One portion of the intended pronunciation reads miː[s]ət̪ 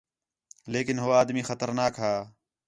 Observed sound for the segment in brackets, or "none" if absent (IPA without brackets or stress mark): x